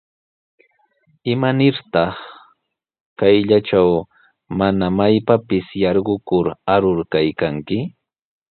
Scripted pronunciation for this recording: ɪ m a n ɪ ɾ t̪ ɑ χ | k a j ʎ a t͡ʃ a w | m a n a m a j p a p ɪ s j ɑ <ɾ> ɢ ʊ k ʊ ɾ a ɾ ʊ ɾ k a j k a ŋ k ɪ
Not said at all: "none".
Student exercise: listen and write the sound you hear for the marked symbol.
ɾ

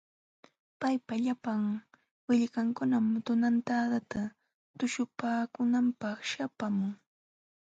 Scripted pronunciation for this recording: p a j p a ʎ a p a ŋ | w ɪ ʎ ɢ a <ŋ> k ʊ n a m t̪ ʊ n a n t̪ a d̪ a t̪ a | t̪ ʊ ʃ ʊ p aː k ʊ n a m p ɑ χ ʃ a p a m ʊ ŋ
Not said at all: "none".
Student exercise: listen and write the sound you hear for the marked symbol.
ŋ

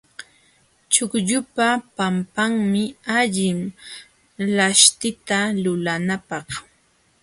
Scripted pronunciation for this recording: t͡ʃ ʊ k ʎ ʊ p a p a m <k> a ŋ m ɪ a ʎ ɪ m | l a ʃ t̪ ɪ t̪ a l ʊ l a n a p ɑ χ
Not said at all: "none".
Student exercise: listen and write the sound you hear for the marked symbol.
p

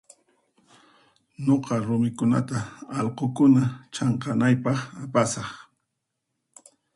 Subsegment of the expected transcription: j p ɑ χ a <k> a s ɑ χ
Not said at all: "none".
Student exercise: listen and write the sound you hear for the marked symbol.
p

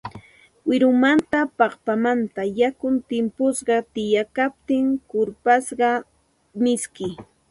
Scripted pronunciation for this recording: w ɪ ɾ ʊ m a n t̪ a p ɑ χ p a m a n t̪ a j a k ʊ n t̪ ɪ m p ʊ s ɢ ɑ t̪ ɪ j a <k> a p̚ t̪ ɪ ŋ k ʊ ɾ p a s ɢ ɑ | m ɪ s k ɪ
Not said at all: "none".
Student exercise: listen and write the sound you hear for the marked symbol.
k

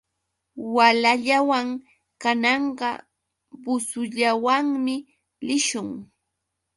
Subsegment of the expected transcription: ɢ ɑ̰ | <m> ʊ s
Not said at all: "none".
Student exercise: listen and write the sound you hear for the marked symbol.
b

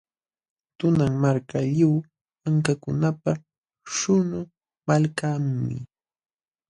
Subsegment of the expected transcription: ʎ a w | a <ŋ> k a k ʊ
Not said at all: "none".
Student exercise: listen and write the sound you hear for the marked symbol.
ŋ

